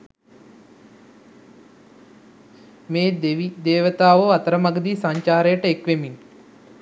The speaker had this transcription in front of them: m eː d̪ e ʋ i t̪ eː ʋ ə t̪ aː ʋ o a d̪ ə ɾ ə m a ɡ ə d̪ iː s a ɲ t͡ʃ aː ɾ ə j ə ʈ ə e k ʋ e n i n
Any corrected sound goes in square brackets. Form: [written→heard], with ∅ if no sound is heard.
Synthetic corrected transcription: m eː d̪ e ʋ i [t̪→d̪] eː ʋ ə t̪ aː ʋ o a [d̪→t̪] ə ɾ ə m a ɡ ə d̪ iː s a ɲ t͡ʃ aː ɾ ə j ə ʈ ə e k ʋ e [n→m] i n